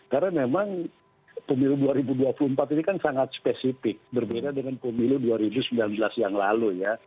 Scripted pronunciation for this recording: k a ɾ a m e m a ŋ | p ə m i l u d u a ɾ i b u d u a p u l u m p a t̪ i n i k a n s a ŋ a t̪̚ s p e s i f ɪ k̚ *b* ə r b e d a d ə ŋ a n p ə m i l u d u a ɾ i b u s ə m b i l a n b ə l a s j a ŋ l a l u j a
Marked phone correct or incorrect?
correct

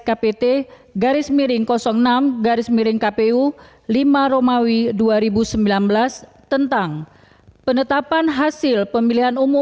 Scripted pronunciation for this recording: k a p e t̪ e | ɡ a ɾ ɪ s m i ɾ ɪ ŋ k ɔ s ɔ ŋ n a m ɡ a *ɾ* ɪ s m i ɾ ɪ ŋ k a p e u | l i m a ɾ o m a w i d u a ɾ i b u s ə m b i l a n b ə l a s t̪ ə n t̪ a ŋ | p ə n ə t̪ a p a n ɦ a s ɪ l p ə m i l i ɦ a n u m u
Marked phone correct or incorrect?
correct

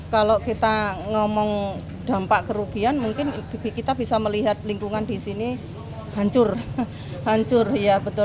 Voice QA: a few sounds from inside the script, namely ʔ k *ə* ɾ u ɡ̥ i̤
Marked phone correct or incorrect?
correct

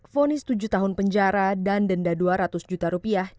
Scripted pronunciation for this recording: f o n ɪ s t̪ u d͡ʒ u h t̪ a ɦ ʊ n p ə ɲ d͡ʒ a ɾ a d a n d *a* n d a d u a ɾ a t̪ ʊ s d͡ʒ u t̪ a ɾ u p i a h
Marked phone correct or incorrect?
incorrect: ə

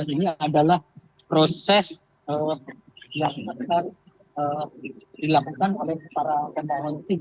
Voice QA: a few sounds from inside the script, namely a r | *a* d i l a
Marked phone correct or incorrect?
incorrect: ə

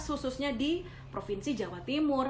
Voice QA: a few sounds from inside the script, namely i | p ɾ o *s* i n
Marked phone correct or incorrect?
incorrect: f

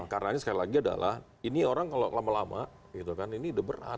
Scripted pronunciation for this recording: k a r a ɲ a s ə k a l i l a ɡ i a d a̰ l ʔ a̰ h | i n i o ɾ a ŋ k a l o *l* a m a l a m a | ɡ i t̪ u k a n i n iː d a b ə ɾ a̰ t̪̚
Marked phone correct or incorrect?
correct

